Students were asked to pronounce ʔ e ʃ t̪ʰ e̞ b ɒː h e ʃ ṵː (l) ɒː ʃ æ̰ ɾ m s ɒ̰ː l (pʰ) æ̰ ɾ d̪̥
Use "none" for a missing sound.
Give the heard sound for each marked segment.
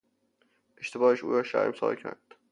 ɾ, cʰ

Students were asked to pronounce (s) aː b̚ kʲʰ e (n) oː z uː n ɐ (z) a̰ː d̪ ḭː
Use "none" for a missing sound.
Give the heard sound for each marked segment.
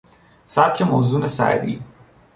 s, m, s

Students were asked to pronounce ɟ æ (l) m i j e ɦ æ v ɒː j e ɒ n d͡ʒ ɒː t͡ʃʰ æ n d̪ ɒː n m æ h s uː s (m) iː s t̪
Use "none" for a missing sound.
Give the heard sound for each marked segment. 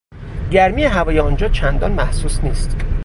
ɾ, n

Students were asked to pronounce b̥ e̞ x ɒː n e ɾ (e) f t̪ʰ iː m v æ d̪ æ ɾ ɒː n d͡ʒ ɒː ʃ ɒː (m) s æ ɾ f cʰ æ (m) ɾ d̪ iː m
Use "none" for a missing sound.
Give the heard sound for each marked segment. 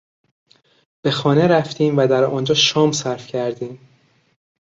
æ, m, none

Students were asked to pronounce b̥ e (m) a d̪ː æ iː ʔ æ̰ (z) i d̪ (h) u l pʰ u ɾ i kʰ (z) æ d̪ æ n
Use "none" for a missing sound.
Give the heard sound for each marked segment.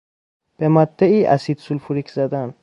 m, s, s, z

